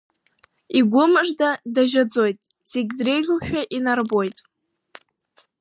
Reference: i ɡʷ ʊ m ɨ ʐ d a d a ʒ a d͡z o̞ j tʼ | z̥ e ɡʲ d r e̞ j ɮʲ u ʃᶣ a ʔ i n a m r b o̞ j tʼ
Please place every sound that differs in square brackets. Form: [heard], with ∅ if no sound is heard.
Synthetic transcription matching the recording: i ɡʷ ʊ m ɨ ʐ d a d a ʒ a d͡z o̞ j tʼ | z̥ e ɡʲ d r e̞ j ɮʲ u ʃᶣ a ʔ i n a [∅] r b o̞ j tʼ